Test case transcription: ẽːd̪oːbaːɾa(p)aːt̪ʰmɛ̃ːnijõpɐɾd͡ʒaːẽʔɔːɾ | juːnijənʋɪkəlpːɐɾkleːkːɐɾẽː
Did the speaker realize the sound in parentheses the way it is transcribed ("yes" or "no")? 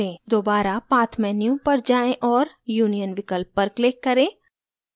yes